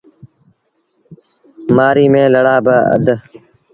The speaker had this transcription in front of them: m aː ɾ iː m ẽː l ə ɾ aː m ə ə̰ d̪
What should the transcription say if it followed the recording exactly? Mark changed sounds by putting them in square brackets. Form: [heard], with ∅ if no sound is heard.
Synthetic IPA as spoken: m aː ɾ iː m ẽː l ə [ɽ] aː [b] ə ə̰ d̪